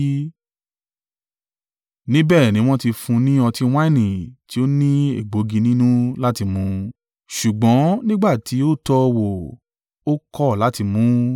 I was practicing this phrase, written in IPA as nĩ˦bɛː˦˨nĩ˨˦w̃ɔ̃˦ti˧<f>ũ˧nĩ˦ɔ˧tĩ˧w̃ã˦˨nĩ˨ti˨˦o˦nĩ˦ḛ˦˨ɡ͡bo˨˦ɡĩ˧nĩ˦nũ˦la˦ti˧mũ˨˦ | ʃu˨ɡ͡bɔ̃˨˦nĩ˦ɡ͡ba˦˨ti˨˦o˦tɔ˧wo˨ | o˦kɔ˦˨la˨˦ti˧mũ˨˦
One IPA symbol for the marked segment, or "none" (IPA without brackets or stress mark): f